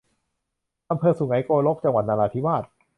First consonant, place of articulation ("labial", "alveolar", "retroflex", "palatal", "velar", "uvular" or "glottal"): glottal